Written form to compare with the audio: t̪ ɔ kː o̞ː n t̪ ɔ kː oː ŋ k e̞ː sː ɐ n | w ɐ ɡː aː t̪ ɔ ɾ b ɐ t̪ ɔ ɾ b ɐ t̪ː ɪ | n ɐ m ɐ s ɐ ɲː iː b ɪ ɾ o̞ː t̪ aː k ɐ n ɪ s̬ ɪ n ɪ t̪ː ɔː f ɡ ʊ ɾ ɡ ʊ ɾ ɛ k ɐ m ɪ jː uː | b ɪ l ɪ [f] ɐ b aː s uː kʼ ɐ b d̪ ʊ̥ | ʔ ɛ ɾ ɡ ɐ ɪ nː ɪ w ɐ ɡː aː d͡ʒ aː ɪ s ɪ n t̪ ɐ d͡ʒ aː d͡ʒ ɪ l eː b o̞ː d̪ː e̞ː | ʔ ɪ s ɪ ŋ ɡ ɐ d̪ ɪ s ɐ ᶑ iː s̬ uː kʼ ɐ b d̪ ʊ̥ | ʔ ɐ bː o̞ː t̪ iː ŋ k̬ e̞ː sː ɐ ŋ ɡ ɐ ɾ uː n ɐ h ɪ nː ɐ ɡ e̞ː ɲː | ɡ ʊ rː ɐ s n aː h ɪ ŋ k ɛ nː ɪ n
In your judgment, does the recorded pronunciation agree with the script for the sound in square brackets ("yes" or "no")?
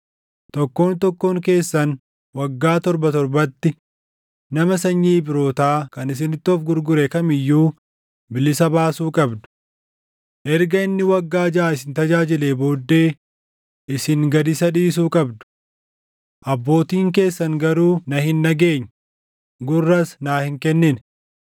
no